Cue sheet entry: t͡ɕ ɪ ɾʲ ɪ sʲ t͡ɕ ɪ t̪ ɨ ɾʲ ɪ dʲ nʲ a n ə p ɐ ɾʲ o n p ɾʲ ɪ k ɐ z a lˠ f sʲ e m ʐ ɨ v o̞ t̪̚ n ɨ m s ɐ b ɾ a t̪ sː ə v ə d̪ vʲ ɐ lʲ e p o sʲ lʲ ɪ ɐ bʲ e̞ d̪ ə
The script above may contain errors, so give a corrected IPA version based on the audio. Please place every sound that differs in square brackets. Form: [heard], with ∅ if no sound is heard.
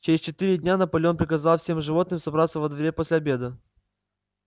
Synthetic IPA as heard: t͡ɕ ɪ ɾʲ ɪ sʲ t͡ɕ ɪ t̪ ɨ ɾʲ ɪ dʲ nʲ a n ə p ɐ [lʲ] o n p ɾʲ ɪ k ɐ z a lˠ f sʲ e m ʐ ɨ v o̞ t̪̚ n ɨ m s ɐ b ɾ a t̪ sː ə v ə d̪ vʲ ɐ [ɾʲ] e p o sʲ lʲ ɪ ɐ bʲ e̞ d̪ ə